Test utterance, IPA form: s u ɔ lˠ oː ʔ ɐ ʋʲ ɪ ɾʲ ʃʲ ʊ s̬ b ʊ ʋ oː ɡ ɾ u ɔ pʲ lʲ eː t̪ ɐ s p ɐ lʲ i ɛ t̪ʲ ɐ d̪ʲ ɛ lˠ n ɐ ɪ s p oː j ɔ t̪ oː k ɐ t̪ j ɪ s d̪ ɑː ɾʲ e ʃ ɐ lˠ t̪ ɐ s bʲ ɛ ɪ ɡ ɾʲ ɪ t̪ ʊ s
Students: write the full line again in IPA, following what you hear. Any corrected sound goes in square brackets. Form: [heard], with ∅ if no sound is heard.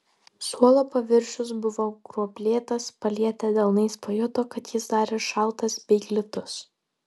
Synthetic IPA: s u ɔ lˠ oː [p] ɐ ʋʲ ɪ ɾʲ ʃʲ ʊ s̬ b ʊ ʋ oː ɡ ɾ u ɔ pʲ lʲ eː t̪ ɐ s p ɐ lʲ i ɛ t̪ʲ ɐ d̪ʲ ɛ lˠ n ɐ ɪ s p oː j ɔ t̪ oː k ɐ t̪ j ɪ s d̪ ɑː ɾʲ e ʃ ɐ lˠ t̪ ɐ s bʲ ɛ ɪ ɡ [lʲ] ɪ t̪ ʊ s

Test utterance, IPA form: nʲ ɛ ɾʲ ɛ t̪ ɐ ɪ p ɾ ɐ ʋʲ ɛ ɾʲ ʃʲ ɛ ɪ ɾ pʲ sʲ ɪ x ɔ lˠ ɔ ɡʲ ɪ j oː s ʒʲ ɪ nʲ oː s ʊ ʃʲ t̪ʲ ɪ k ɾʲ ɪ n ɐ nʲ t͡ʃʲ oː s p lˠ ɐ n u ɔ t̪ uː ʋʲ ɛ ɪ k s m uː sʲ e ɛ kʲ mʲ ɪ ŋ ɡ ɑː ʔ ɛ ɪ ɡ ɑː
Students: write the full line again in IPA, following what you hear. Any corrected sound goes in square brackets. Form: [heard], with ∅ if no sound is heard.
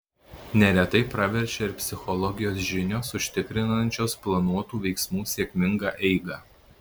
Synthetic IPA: nʲ ɛ ɾʲ ɛ t̪ ɐ ɪ p ɾ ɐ ʋʲ ɛ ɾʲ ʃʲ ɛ ɪ ɾ pʲ sʲ ɪ x ɔ lˠ ɔ ɡʲ ɪ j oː s ʒʲ ɪ nʲ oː s ʊ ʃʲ t̪ʲ ɪ k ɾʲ ɪ n ɐ nʲ t͡ʃʲ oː s p lˠ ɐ n u ɔ t̪ uː ʋʲ ɛ ɪ k s m uː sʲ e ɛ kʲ mʲ ɪ ŋ ɡ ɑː ʔ ɛ ɪ ɡ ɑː

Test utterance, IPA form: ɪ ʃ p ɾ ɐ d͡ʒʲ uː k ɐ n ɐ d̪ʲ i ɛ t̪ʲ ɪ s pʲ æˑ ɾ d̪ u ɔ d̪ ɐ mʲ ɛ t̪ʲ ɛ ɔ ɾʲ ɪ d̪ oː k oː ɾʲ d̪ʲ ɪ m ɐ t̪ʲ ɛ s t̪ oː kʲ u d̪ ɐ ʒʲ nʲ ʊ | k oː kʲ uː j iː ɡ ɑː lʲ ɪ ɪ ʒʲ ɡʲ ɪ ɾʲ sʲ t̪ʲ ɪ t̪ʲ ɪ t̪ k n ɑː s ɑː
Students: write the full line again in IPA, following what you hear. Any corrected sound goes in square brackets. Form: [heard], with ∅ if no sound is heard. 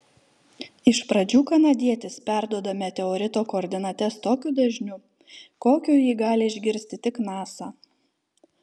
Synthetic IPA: ɪ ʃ p ɾ ɐ d͡ʒʲ uː k ɐ n ɐ d̪ʲ i ɛ t̪ʲ ɪ s pʲ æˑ ɾ d̪ u ɔ d̪ ɐ mʲ ɛ t̪ʲ ɛ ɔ ɾʲ ɪ [t̪] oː k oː ɾʲ d̪ʲ ɪ [n] ɐ t̪ʲ ɛ s t̪ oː kʲ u d̪ ɐ ʒʲ nʲ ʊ | k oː kʲ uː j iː ɡ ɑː lʲ ɪ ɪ ʒʲ ɡʲ ɪ ɾʲ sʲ t̪ʲ ɪ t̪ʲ ɪ [∅] k n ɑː s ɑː

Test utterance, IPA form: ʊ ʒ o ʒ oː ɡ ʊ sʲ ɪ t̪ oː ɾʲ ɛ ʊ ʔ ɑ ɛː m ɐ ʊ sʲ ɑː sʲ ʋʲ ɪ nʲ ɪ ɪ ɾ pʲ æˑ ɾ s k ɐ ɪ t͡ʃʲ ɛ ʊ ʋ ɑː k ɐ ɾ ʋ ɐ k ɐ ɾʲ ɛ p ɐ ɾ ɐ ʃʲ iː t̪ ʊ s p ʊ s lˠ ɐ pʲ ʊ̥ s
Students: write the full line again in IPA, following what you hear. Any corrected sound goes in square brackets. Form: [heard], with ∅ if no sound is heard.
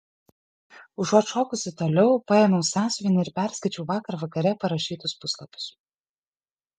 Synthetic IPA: ʊ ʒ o [ʃ] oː [k] ʊ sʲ ɪ t̪ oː [lʲ] ɛ ʊ [p] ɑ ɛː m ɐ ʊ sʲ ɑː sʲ ʋʲ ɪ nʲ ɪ ɪ ɾ pʲ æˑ ɾ s k ɐ ɪ t͡ʃʲ ɛ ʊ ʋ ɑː k ɐ ɾ ʋ ɐ k ɐ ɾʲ ɛ p ɐ ɾ ɐ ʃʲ iː t̪ ʊ s p ʊ s lˠ ɐ pʲ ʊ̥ s

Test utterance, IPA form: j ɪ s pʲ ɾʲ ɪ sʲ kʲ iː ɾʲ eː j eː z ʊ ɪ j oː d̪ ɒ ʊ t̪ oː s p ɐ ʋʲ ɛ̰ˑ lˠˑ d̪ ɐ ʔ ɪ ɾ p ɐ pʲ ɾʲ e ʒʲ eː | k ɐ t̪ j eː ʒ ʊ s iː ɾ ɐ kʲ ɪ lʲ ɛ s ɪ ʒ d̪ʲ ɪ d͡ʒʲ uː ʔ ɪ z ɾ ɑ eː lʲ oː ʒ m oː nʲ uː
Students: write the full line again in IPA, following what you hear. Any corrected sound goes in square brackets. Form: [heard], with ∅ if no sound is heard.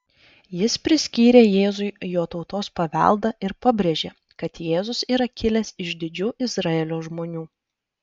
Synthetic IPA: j ɪ s pʲ ɾʲ ɪ sʲ kʲ iː ɾʲ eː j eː z ʊ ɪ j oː [t̪] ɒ ʊ t̪ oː s p ɐ ʋʲ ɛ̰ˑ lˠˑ d̪ ɐ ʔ ɪ ɾ p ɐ [bʲ] ɾʲ e ʒʲ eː | k ɐ t̪ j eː [z] ʊ s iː ɾ ɐ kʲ ɪ lʲ ɛ s ɪ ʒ d̪ʲ ɪ d͡ʒʲ uː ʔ ɪ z ɾ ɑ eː lʲ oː ʒ m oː nʲ uː

